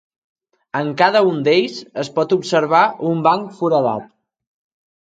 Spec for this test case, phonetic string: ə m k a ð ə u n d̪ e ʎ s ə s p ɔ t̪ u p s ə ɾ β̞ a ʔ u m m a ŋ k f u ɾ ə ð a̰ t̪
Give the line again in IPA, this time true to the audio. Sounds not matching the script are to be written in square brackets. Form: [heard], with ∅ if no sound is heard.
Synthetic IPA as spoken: ə [ŋ] k a ð ə u n d̪ e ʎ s ə s p ɔ t̪ u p s ə ɾ β̞ a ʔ u m [b] a ŋ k f u ɾ ə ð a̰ t̪